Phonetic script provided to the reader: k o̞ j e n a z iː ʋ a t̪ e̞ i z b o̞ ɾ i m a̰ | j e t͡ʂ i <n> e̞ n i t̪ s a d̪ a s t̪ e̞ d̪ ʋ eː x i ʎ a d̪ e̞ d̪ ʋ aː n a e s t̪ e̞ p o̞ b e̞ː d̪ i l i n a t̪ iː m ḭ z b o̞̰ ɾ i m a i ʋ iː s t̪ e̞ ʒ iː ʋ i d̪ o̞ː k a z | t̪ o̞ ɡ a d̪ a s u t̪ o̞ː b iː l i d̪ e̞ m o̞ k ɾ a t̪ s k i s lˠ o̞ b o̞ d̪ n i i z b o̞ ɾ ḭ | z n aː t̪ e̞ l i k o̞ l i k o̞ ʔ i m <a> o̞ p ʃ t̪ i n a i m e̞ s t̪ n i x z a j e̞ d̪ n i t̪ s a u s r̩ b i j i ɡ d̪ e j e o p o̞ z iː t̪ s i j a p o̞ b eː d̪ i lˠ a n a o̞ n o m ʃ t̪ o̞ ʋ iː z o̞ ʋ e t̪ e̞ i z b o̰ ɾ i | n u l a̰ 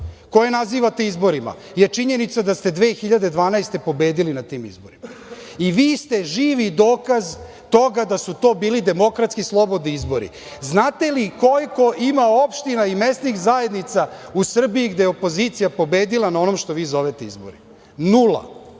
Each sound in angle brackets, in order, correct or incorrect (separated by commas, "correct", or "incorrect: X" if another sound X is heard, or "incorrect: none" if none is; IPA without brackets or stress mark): incorrect: ɲ, correct